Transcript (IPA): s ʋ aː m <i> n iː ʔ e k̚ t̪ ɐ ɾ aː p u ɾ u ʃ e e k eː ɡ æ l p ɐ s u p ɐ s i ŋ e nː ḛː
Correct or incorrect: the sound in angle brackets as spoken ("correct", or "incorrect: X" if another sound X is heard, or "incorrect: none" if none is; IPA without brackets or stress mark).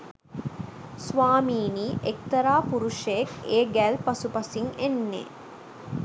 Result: incorrect: iː